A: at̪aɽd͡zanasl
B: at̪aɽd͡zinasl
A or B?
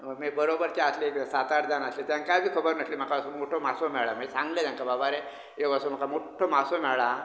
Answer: A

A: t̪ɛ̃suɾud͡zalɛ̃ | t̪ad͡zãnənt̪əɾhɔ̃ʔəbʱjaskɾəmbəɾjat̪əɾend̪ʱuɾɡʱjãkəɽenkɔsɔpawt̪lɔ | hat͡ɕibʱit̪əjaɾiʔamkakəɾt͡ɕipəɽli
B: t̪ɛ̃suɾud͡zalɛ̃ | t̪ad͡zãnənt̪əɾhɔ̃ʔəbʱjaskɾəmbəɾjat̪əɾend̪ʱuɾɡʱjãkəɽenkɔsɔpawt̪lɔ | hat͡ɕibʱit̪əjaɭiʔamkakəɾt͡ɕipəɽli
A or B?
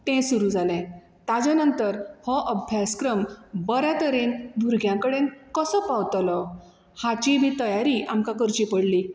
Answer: A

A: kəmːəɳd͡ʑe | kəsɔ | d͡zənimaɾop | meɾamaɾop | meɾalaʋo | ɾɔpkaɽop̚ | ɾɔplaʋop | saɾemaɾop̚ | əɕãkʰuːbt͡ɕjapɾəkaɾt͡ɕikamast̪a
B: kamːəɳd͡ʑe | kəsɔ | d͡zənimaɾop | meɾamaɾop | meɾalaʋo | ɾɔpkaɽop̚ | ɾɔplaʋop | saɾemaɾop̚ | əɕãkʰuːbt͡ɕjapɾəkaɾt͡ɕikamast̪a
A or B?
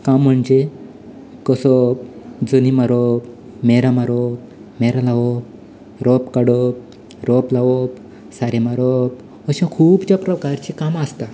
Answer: B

